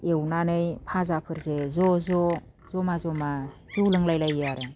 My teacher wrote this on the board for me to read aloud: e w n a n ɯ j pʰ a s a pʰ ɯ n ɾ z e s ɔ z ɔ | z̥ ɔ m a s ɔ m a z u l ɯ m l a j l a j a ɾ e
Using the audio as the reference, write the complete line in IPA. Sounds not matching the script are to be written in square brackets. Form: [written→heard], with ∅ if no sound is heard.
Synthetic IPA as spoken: e w n a n ɯ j pʰ a [s→z] a pʰ ɯ [n→∅] ɾ z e [s→z] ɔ z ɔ | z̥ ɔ m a [s→z] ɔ m a z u l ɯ [m→ŋ] l a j l a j a ɾ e